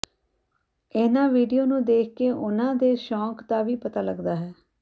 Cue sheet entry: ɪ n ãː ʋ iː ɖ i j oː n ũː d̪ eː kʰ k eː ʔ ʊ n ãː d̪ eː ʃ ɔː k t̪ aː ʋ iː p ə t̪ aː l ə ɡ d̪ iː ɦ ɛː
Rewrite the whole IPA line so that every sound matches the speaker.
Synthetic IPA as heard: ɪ n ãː ʋ iː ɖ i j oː n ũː d̪ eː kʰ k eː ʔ ʊ n ãː d̪ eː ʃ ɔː k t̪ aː ʋ iː p ə t̪ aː l ə ɡ d̪ aː ɦ ɛː